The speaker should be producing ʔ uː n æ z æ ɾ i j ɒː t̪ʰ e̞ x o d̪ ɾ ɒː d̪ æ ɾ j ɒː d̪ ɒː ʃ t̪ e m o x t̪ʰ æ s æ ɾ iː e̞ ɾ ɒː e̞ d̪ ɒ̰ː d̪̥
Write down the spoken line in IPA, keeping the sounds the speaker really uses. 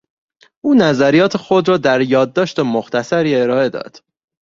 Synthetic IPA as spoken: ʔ uː n æ z æ ɾ i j ɒː t̪ʰ e̞ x o d̪ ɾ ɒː d̪ æ ɾ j ɒː d̪ː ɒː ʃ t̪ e m o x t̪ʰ æ s æ ɾ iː e̞ ɾ ɒː e̞ d̪ ɒ̰ː d̪̥